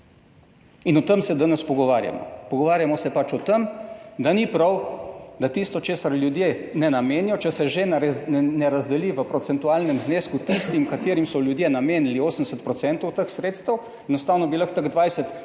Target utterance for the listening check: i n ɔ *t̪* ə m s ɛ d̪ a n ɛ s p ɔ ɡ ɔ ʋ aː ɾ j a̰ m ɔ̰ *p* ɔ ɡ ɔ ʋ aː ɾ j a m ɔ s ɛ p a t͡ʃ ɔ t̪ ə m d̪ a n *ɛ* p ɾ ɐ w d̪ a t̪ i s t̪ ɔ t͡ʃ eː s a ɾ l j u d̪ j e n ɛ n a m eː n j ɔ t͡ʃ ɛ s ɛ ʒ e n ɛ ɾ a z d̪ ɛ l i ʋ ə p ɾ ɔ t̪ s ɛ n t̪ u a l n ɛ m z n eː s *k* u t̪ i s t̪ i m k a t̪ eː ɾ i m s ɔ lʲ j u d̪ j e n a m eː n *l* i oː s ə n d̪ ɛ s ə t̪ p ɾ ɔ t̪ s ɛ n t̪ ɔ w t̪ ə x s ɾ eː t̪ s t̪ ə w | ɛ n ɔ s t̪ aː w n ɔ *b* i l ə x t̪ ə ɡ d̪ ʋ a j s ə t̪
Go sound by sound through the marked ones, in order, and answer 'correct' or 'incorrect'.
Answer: correct, correct, incorrect: i, correct, correct, correct

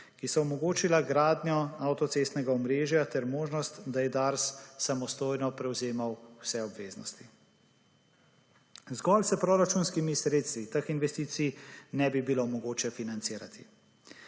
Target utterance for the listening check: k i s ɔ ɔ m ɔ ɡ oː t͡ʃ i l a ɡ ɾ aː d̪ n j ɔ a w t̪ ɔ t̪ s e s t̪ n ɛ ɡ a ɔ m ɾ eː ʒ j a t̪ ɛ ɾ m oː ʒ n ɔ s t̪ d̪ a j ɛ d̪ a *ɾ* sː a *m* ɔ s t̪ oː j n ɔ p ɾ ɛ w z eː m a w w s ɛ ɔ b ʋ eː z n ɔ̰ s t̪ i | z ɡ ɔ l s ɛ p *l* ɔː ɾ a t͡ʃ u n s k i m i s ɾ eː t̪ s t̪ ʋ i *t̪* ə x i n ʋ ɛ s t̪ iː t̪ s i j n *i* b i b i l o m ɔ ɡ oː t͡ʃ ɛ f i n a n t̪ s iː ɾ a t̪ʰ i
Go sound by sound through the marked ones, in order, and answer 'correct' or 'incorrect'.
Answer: correct, correct, incorrect: ɾ, correct, incorrect: ɛ

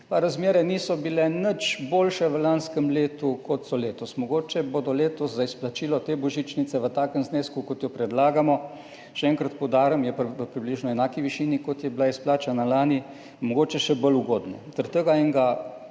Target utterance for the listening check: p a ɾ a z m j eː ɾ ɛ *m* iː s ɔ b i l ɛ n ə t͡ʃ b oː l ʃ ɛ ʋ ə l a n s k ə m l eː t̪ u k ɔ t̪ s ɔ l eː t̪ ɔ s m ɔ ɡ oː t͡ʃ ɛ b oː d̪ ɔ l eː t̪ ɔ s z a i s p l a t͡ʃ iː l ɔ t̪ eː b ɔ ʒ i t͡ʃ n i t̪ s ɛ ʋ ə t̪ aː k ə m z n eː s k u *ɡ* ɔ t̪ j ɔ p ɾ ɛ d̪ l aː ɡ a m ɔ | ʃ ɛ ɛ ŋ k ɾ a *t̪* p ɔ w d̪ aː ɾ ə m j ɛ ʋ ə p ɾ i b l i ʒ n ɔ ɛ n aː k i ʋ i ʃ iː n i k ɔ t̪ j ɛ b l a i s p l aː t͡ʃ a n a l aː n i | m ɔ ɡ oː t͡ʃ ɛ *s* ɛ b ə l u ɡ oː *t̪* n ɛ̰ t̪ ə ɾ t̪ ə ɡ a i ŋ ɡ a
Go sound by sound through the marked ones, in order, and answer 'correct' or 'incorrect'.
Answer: incorrect: n, incorrect: k, correct, incorrect: ʃ, incorrect: d̪

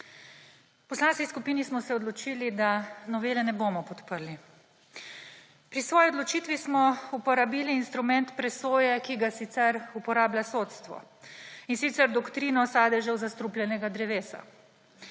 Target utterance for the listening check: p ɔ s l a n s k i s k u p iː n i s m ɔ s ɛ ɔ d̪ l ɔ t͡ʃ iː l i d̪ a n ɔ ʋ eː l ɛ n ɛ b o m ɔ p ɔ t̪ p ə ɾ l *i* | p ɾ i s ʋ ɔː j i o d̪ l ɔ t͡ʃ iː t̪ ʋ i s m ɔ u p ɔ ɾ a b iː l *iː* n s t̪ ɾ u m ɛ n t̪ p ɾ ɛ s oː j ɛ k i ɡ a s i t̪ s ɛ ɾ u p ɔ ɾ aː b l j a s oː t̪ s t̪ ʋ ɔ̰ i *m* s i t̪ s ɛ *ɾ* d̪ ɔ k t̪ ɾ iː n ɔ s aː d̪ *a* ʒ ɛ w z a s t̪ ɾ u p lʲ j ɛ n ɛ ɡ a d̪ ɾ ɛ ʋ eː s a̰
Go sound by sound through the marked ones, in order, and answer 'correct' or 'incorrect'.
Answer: correct, correct, incorrect: n, correct, incorrect: ɛ

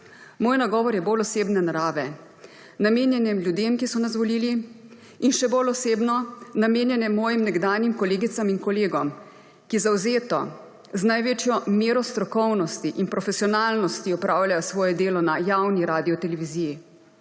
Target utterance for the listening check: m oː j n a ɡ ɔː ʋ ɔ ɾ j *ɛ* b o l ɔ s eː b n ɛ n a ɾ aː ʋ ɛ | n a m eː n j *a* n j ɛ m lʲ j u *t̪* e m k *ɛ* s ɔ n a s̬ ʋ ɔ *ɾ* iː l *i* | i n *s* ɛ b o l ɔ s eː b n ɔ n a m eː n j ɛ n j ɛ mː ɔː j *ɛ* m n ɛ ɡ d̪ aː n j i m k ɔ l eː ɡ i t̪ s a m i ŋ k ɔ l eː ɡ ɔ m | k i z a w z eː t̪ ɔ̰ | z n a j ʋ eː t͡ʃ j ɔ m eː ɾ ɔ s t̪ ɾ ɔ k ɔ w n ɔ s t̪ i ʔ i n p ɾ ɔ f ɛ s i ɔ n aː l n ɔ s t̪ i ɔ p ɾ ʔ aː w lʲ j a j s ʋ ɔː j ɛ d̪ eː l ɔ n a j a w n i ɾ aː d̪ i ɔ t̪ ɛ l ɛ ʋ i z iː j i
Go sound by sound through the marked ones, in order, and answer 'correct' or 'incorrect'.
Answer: correct, incorrect: ɛ, incorrect: d̪, incorrect: i, incorrect: l, correct, incorrect: ʃ, incorrect: i

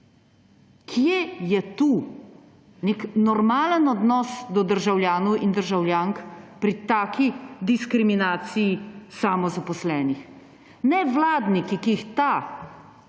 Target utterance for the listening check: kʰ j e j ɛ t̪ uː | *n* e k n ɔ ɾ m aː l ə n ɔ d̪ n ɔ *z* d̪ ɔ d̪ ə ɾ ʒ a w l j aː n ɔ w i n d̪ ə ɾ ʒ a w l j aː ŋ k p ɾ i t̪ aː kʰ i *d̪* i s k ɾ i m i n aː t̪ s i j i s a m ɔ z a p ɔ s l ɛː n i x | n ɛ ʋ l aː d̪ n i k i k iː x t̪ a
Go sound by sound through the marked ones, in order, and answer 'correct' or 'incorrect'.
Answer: correct, incorrect: s, correct

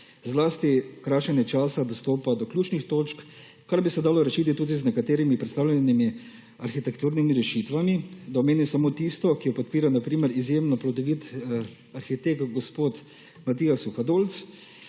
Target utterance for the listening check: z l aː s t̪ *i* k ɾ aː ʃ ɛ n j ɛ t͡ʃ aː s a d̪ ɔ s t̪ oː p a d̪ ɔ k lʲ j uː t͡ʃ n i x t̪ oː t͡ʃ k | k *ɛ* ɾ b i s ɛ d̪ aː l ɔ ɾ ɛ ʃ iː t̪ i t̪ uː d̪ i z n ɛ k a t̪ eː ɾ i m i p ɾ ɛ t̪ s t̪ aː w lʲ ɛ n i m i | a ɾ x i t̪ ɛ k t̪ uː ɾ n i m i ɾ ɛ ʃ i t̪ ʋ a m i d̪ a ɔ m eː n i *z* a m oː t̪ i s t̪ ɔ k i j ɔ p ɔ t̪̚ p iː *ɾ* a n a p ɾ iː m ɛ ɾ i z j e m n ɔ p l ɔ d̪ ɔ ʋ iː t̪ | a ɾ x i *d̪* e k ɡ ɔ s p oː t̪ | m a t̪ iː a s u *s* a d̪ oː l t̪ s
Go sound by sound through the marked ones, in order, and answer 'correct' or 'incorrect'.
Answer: correct, incorrect: a, incorrect: s, correct, incorrect: t̪, incorrect: x

